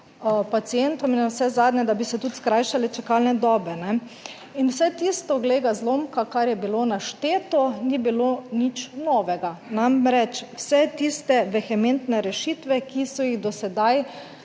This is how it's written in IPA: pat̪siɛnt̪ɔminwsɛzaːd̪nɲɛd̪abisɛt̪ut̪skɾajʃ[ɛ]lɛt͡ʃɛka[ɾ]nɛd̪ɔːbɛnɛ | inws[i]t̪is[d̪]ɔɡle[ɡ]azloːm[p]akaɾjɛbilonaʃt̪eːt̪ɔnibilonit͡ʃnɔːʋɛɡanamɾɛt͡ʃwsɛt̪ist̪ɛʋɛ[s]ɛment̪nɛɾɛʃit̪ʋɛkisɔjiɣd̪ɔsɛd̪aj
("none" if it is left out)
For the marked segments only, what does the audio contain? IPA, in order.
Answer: a, l, ɛ, t̪, ɡ, k, x

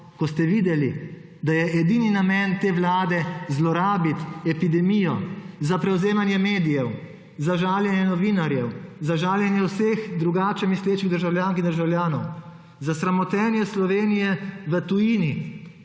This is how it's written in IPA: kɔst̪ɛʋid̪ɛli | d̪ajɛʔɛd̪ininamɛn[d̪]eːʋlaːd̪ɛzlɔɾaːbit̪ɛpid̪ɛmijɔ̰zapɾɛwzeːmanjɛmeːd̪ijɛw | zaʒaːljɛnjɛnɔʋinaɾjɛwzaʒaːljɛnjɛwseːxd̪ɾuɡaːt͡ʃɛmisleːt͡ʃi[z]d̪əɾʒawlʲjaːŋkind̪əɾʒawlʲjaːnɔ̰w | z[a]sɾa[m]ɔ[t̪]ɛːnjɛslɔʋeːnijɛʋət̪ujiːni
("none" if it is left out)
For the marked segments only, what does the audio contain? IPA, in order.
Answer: t̪, ɣ, a, m, t̪

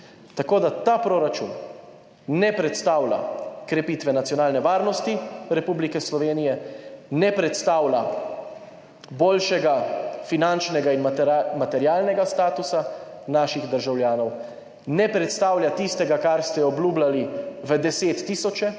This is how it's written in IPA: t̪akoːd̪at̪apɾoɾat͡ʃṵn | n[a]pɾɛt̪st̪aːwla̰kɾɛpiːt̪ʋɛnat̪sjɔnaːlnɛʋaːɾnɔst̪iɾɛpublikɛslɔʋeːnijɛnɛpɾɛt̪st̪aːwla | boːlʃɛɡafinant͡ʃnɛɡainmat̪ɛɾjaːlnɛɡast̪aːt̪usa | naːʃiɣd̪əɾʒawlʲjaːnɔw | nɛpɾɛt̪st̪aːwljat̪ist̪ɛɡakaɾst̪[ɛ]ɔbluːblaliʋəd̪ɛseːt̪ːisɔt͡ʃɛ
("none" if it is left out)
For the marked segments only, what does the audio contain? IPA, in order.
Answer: ɛ, ɛ

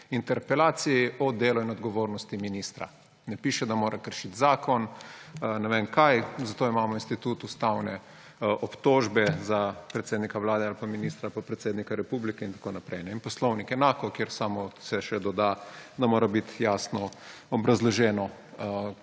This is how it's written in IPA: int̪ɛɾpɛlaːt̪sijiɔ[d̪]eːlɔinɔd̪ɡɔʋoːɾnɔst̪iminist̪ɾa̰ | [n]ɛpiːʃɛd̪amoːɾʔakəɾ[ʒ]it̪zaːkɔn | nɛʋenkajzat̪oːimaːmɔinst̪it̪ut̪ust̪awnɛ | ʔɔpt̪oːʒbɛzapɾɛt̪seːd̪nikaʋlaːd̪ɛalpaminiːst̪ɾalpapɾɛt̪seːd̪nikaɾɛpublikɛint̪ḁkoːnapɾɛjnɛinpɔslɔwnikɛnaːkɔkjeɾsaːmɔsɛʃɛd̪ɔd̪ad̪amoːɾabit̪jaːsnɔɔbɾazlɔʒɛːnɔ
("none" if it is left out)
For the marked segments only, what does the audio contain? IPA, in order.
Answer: d̪, n, ʃ

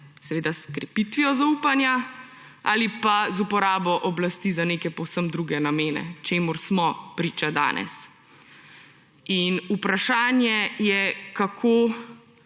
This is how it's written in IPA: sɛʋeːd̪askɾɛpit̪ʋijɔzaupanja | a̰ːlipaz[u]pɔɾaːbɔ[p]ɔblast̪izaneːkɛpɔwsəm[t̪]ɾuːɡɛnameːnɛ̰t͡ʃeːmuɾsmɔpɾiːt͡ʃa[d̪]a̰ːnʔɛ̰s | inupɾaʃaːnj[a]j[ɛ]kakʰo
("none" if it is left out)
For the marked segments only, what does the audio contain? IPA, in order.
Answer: u, ʔ, d̪, d̪, ɛ, ɛ

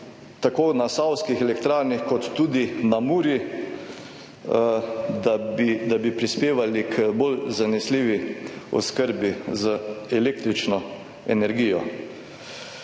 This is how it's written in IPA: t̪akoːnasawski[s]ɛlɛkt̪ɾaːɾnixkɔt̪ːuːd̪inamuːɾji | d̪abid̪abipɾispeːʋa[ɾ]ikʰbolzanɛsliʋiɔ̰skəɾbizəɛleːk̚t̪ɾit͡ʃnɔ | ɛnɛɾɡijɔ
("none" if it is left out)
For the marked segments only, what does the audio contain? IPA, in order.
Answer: x, l

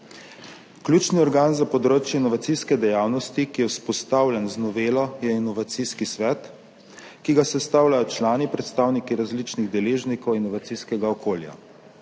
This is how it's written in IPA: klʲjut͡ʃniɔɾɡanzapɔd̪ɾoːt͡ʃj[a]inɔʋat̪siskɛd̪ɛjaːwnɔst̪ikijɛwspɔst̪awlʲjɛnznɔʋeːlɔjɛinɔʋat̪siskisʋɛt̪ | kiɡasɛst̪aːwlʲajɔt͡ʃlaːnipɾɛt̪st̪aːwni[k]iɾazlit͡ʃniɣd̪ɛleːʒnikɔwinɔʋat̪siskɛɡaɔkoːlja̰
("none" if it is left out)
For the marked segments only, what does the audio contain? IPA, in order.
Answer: ɛ, k

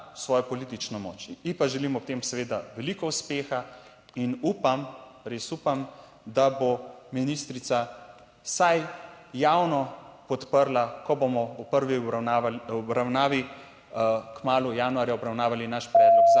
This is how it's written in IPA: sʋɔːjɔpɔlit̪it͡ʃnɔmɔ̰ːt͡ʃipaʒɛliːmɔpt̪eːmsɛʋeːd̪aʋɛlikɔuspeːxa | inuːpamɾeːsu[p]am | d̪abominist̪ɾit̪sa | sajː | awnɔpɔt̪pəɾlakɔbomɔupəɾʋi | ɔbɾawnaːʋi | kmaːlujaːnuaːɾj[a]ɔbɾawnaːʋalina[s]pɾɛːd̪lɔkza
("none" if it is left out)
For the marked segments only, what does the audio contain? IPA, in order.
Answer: p, a, ʃ

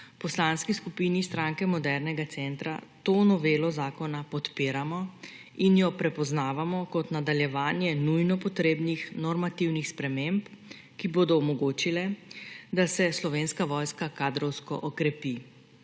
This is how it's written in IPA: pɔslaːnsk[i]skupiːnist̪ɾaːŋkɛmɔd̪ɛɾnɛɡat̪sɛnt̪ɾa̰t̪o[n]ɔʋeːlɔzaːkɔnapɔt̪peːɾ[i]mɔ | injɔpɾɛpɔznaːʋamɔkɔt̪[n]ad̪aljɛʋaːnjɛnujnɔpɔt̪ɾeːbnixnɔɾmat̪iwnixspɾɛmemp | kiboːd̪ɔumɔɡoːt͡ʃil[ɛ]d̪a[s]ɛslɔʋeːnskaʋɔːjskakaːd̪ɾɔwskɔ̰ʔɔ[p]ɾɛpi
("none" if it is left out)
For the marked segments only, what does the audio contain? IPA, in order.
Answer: i, n, a, n, ɛ, s, k

